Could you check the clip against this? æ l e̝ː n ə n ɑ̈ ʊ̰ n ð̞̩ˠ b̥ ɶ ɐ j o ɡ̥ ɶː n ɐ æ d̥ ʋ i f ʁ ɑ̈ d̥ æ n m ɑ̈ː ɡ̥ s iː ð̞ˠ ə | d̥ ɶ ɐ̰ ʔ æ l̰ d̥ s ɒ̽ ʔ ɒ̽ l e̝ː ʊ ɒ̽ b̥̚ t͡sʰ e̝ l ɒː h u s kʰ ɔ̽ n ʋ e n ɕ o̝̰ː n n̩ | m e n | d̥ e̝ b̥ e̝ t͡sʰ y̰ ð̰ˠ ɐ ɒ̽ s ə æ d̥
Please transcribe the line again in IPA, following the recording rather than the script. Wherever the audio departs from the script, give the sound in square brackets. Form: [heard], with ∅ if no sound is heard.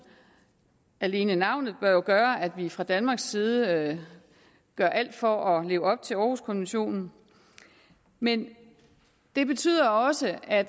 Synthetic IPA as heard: æ l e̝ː n ə n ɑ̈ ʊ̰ n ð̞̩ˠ b̥ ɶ ɐ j o ɡ̥ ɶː [∅] ɐ æ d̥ ʋ i f ʁ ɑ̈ d̥ æ n m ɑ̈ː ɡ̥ s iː ð̞ˠ ə | [ɡ̥] ɶ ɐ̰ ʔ æ l̰ d̥ [f] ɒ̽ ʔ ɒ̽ l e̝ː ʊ ɒ̽ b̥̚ t͡sʰ e̝ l ɒː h u s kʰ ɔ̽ n ʋ e n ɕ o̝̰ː n n̩ | m e n | d̥ e̝ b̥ e̝ t͡sʰ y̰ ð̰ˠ ɐ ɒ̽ s ə æ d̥